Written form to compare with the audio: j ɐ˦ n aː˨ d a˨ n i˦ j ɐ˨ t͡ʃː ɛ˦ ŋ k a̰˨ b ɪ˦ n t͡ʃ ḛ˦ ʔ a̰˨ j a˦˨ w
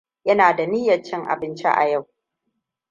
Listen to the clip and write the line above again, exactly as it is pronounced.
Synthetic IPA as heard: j ɐ˦ n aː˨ d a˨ n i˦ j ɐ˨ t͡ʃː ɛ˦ ŋ ʔ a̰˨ b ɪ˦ n t͡ʃ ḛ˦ ʔ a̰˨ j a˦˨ w